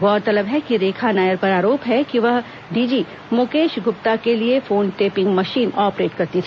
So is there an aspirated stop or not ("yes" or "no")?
yes